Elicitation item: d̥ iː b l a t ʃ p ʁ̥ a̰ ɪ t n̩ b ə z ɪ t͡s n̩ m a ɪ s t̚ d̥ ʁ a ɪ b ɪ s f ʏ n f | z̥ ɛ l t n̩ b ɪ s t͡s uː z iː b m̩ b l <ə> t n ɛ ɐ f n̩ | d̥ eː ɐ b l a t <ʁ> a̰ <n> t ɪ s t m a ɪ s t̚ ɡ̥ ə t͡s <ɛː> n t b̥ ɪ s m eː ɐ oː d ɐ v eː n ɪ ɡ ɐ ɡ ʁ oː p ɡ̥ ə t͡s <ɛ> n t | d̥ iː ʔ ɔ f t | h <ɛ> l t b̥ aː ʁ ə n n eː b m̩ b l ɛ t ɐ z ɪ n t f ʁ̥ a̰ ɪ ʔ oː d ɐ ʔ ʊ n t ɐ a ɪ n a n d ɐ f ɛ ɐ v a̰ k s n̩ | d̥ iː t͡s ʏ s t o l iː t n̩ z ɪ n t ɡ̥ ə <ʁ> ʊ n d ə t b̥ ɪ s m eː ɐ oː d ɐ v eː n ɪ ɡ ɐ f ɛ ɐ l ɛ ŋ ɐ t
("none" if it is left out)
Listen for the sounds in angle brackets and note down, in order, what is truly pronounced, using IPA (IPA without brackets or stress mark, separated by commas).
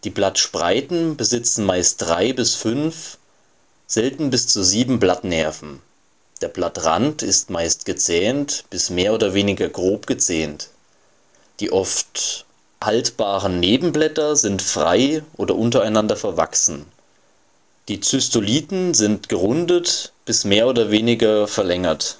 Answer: a, ʁ, n, ɛː, ɛː, a, ʁ